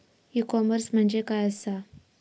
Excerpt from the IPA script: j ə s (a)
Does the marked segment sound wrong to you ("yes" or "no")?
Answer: no